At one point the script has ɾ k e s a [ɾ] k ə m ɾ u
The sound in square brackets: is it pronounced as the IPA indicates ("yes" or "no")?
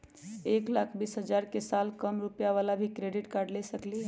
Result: no